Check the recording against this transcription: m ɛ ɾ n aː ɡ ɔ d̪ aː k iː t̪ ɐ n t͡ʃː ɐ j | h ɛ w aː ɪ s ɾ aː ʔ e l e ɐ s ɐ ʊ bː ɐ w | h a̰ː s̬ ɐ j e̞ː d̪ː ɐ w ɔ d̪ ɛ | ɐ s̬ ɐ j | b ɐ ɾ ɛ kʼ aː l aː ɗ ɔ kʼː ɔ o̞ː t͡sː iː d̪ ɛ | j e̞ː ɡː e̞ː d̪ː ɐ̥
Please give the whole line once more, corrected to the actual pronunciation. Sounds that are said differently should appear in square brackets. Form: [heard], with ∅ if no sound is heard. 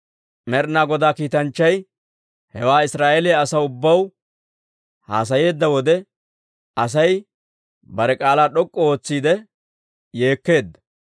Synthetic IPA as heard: m ɛ ɾ n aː ɡ ɔ d̪ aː k iː t̪ ɐ n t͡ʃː ɐ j | h ɛ w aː ɪ s ɾ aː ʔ e l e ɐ s ɐ ʊ bː ɐ w | h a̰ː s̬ ɐ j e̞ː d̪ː ɐ w ɔ d̪ ɛ | ɐ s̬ ɐ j | b ɐ ɾ ɛ kʼ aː l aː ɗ ɔ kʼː ɔ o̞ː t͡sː iː d̪ ɛ | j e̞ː [kː] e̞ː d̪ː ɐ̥